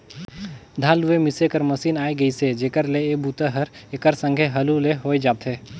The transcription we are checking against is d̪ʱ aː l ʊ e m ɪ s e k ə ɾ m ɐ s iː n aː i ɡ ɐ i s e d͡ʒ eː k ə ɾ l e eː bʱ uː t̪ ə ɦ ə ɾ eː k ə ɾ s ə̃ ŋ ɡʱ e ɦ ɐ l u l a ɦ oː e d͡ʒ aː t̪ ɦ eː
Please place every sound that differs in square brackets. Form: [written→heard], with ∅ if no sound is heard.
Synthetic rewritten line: d̪ʱ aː l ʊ e m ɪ s e k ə ɾ m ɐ s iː n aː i ɡ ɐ i s e d͡ʒ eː k ə ɾ l e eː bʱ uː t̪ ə ɦ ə ɾ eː k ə ɾ s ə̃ ŋ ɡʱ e ɦ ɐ l u l [a→e] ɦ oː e d͡ʒ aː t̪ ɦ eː